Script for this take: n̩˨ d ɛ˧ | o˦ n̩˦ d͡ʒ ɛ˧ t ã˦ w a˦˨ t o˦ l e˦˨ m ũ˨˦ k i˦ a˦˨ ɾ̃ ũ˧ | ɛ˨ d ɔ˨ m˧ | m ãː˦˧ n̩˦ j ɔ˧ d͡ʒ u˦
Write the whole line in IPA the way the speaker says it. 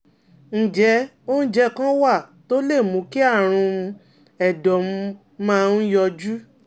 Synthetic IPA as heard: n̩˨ d͡ʒ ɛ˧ | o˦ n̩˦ d͡ʒ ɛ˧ k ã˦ w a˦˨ t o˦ l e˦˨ m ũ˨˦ k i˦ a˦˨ ɾ̃ ũ˧ | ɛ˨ d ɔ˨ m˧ | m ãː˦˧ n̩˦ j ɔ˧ d͡ʒ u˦